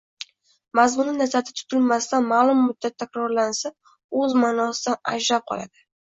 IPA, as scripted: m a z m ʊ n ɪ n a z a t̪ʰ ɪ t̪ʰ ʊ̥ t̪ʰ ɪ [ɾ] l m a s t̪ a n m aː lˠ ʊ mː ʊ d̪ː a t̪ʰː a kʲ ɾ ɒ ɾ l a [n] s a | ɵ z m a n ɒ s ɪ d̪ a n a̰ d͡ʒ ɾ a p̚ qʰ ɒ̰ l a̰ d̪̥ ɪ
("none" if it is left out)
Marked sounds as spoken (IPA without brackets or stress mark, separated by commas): none, n